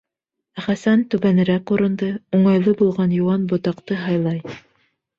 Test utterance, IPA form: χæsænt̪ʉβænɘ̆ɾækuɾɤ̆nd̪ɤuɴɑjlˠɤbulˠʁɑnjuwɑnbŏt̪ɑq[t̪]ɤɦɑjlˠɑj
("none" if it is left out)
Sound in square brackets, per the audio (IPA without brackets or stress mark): t̪